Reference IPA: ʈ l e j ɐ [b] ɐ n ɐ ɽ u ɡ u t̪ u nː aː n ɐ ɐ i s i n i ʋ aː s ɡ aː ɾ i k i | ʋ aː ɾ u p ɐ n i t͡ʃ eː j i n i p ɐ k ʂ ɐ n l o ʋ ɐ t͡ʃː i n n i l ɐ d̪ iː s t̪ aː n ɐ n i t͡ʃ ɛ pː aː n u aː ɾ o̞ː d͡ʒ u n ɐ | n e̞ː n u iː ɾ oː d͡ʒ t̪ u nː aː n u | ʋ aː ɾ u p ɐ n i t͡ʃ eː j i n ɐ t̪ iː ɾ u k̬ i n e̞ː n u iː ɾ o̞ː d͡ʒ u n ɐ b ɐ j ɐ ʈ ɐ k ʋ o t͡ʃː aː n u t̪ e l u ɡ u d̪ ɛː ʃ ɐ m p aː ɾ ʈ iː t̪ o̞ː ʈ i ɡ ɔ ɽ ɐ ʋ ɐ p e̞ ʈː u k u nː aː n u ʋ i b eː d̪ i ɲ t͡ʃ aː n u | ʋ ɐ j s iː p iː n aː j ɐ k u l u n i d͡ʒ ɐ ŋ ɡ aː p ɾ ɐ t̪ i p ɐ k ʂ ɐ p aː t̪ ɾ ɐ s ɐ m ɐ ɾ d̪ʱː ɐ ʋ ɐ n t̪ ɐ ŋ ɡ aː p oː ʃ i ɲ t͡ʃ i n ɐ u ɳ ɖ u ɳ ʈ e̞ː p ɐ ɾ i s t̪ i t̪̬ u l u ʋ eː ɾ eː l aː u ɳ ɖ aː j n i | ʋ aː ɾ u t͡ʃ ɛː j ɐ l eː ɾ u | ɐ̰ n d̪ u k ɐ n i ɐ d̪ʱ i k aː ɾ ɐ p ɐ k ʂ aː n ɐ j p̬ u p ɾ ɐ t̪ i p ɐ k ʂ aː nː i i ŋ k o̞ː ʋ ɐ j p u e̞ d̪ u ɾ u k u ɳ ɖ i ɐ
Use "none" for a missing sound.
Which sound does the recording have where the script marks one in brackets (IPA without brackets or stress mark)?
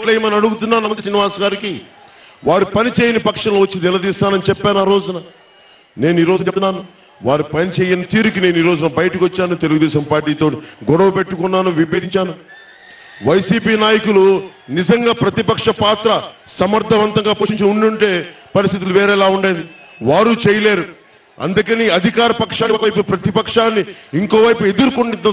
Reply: m